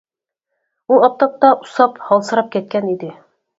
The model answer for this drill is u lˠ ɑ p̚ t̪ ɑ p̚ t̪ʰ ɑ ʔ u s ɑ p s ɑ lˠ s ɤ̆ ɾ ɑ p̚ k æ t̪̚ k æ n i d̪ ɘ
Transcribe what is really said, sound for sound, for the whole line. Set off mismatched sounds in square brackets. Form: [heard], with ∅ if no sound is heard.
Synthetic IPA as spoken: u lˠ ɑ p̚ t̪ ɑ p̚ [t̪] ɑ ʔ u s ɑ p [h] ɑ lˠ s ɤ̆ ɾ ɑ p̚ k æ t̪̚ k æ n i d̪ ɘ